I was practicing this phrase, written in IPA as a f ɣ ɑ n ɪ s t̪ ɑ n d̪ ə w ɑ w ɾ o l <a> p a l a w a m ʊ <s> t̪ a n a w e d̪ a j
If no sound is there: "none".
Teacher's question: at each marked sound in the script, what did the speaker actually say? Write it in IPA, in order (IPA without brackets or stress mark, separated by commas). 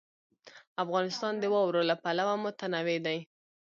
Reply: a, none